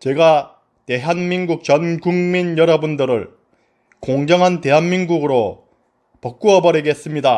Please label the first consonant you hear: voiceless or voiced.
voiceless